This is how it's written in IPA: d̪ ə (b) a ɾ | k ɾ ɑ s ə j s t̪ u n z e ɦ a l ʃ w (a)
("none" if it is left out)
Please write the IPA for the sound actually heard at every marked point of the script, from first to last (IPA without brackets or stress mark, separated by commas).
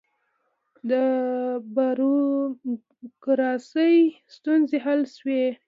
b, e